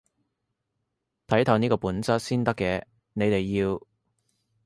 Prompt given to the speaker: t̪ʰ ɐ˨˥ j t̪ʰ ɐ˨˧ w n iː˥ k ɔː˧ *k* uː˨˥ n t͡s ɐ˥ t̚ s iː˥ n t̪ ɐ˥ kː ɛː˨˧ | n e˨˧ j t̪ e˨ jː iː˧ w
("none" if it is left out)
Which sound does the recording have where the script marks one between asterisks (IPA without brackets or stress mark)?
p